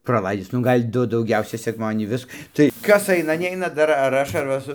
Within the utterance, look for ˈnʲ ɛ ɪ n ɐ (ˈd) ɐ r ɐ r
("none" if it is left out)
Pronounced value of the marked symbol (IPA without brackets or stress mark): d